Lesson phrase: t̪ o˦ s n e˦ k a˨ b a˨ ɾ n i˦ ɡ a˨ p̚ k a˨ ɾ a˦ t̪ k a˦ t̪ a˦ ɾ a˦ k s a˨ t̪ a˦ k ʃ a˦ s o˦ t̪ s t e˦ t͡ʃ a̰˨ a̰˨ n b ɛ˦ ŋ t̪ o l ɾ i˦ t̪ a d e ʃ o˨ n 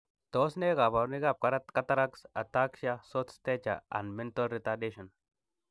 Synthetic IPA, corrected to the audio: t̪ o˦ s n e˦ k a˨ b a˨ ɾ n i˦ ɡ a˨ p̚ k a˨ ɾ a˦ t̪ k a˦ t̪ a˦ ɾ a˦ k s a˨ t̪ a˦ k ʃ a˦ s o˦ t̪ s t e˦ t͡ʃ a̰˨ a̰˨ n m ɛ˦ n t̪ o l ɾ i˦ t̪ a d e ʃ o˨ n